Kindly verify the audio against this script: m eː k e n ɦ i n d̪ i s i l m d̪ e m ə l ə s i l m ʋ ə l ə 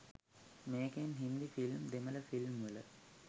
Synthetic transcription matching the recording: m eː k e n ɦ i n d̪ i f i l m d̪ e m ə l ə f i l m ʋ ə l ə

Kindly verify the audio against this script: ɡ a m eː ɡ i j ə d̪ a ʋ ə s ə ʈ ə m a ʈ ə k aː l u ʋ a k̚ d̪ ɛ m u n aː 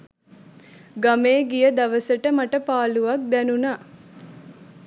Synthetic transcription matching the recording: ɡ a m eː ɡ i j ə d̪ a ʋ ə s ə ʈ ə m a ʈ ə p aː l u ʋ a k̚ d̪ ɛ n u n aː

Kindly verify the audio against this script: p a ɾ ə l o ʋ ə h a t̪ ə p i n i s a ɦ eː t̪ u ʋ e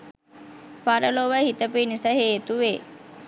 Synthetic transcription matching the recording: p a ɾ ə l o ʋ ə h i t̪ ə p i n i s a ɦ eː t̪ u ʋ e

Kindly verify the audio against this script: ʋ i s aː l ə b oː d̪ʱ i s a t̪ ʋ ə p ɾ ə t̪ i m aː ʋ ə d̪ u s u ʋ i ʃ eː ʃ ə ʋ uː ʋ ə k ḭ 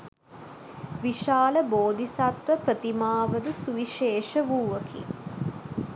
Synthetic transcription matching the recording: ʋ i ʃ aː l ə b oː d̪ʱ i s a t̪ ʋ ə p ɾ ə t̪ i m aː ʋ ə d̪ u s u ʋ i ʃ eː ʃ ə ʋ uː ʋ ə k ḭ

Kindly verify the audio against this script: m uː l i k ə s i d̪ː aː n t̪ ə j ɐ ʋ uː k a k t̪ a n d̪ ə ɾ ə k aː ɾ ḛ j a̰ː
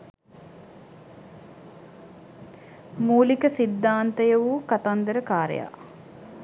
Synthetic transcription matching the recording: m uː l i k ə s i d̪ː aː n t̪ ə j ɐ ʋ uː k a t̪ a n d̪ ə ɾ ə k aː ɾ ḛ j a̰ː

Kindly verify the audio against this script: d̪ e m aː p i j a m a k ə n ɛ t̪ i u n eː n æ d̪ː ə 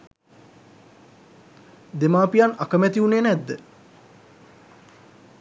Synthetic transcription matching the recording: d̪ e m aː p i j a n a k ə m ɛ t̪ i u n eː n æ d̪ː ə

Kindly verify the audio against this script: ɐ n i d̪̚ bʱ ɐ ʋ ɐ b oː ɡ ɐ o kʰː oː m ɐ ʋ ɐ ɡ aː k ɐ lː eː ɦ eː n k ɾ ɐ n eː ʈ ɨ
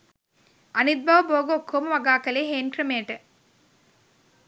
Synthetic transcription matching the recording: ɐ n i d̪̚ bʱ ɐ ʋ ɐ b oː ɡ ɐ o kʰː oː m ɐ ʋ ɐ ɡ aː k ɐ l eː ɦ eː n k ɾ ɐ m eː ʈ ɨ

